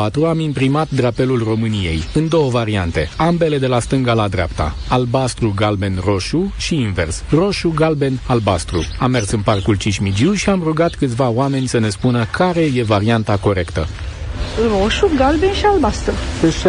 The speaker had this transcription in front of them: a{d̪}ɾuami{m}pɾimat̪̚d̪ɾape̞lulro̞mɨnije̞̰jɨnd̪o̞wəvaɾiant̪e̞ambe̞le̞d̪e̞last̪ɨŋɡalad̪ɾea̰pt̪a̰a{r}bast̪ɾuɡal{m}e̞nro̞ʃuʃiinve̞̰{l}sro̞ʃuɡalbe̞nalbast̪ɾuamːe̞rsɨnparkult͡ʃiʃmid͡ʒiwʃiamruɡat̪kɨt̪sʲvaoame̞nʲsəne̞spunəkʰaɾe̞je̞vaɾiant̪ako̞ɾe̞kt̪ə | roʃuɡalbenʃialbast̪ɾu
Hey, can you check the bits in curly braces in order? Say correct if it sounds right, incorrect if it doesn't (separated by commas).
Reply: incorrect, correct, incorrect, incorrect, incorrect